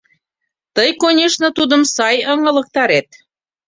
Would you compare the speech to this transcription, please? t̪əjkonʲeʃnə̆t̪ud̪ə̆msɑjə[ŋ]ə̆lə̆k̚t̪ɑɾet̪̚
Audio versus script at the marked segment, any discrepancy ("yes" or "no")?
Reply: no